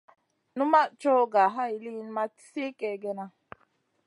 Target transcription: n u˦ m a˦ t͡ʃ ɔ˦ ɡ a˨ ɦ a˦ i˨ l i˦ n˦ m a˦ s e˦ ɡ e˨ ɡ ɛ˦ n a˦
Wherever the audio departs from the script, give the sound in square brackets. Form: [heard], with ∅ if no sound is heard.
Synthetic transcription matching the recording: n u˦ m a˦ t͡ʃ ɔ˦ ɡ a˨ ɦ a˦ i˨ l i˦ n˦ m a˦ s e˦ [k] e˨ ɡ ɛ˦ n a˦